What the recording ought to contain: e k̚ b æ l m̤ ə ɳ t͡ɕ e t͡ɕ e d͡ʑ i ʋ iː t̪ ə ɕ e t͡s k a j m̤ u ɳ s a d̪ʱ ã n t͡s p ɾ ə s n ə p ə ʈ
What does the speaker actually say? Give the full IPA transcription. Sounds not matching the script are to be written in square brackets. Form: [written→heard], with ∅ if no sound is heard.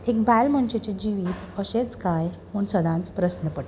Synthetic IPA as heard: e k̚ b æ l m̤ ə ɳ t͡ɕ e t͡ɕ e d͡ʑ i ʋ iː t̪ ə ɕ e t͡s k a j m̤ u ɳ s [a→ə] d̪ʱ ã n t͡s p ɾ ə s n ə p ə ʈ